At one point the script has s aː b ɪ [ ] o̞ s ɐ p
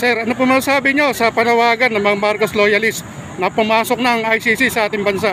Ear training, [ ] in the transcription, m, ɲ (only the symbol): ɲ